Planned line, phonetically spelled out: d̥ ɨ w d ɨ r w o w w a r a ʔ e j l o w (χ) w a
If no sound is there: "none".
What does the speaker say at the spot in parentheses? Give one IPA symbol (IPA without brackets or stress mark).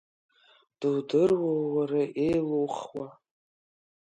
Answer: χ